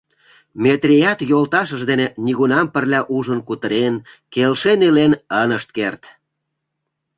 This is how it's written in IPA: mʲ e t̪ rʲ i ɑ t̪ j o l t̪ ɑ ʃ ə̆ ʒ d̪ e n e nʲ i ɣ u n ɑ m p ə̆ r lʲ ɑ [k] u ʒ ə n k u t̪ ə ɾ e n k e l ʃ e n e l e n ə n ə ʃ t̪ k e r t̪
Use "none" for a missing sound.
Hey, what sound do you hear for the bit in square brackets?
ʔ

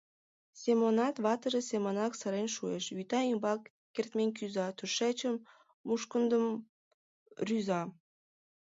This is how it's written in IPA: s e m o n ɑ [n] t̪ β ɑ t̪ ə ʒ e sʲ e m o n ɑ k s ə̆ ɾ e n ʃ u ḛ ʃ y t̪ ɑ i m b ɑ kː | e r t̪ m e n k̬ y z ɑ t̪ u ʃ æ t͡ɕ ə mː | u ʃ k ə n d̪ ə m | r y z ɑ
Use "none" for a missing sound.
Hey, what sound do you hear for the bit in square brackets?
none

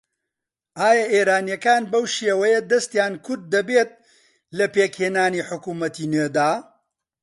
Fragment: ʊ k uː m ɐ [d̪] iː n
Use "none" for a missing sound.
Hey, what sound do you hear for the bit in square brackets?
t̪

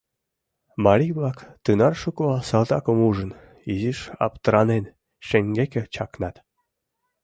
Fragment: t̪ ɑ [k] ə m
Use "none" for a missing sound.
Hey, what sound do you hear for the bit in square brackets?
k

